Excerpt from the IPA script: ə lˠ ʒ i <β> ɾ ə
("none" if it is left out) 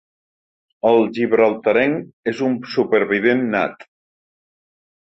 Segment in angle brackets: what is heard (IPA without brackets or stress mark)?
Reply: β